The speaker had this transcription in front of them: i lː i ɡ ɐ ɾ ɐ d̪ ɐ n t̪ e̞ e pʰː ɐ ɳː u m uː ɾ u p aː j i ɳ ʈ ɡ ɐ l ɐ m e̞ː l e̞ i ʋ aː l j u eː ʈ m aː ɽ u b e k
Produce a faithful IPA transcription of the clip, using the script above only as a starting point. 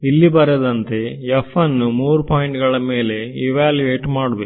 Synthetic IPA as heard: i lː i b ɐ ɾ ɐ d̪ ɐ n t̪ e̞ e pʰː ɐ nː u m uː ɾ u p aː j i ɳ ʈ ɡ ɐ ɭ ɐ m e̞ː l e̞ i ʋ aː l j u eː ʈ m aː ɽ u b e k